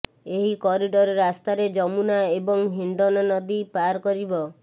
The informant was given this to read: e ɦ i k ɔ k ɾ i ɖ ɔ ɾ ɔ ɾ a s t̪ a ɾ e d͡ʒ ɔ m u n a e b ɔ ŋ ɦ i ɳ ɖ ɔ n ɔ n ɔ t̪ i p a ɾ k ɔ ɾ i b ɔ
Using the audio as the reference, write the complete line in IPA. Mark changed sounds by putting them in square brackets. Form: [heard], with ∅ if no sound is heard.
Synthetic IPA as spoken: e ɦ i k ɔ [∅] ɾ i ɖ ɔ ɾ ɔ ɾ a s t̪ a ɾ e d͡ʒ ɔ m u n a e b ɔ ŋ ɦ i ɳ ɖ ɔ n ɔ n ɔ [d̪] i p a ɾ k ɔ ɾ i b ɔ

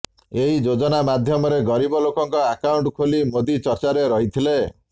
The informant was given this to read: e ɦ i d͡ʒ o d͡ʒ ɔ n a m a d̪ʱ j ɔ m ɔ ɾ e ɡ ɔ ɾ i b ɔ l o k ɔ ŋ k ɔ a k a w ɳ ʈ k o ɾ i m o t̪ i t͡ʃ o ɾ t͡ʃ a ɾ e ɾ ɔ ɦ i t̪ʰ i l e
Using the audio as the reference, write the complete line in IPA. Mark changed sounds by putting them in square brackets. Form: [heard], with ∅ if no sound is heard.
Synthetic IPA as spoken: e ɦ i d͡ʒ o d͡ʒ ɔ n a m a d̪ʱ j ɔ m ɔ ɾ e ɡ ɔ ɾ i b ɔ l o k ɔ ŋ k ɔ a k a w ɳ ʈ [kʰ] o [l] i m o [d̪] i t͡ʃ [ɔ] ɾ t͡ʃ a ɾ e ɾ ɔ ɦ i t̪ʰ i l e

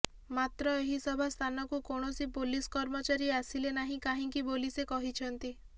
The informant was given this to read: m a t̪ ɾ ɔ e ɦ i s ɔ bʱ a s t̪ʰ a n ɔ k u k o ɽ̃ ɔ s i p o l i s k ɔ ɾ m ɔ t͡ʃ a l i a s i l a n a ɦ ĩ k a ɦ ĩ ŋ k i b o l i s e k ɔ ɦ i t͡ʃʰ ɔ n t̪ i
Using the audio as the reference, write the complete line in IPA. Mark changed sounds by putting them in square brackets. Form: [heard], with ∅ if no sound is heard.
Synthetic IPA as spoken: m a t̪ ɾ ɔ e ɦ i s ɔ bʱ a s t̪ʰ a n ɔ k u k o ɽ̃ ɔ s i p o l i s k ɔ ɾ m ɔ t͡ʃ a [ɾ] i a s i l [e] n a ɦ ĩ k a ɦ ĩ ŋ k i b o l i s e k ɔ ɦ i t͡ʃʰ ɔ n t̪ i

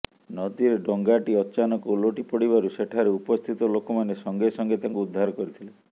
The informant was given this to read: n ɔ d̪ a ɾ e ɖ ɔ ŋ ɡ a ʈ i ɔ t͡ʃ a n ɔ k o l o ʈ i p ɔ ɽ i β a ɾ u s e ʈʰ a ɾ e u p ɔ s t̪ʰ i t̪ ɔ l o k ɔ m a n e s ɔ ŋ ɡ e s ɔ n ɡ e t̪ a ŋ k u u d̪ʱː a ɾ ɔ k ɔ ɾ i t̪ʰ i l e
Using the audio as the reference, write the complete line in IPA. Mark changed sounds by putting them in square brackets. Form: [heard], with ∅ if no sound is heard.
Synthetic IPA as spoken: n ɔ d̪ [i] ɾ e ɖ ɔ ŋ ɡ a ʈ i ɔ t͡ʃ a n ɔ k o l o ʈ i p ɔ ɽ i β a ɾ u s e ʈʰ a ɾ e u p ɔ s t̪ʰ i t̪ ɔ l o k ɔ m a n e s ɔ ŋ ɡ e s ɔ [ŋ] ɡ e t̪ a ŋ k u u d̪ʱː a ɾ ɔ k ɔ ɾ i t̪ʰ i l e

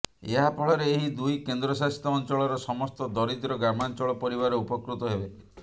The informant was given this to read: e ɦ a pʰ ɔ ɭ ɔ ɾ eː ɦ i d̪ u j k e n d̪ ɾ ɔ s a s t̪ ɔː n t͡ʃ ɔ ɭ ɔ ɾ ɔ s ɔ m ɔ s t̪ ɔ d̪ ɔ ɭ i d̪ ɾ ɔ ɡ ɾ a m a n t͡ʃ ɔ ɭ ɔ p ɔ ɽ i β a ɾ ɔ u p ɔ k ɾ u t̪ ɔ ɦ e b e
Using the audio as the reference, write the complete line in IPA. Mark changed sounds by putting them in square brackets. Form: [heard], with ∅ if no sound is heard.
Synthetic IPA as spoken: e ɦ a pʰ ɔ ɭ ɔ ɾ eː ɦ i d̪ u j k e n d̪ ɾ ɔ s a s t̪ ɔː n t͡ʃ ɔ ɭ ɔ ɾ ɔ s ɔ m ɔ s t̪ ɔ d̪ ɔ [ɾ] i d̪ ɾ ɔ ɡ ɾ a m a n t͡ʃ ɔ ɭ ɔ p ɔ [ɾ] i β a ɾ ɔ u p ɔ k ɾ u t̪ ɔ ɦ e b e

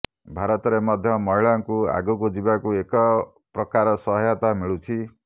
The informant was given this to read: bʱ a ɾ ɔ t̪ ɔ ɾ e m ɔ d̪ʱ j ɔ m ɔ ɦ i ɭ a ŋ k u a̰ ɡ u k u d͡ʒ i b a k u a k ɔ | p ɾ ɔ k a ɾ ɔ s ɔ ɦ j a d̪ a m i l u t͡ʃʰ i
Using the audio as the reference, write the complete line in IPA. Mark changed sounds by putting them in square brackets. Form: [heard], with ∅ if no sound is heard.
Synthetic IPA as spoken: bʱ a ɾ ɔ t̪ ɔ ɾ e m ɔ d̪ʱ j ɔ m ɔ ɦ i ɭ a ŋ k u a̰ ɡ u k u d͡ʒ i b a k u [e] k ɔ | p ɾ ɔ k a ɾ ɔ s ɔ ɦ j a [t̪] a m i [ɭ] u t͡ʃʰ i

